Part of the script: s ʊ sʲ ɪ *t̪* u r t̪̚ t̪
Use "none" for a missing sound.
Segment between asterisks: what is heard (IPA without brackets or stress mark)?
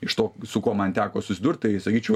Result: d̪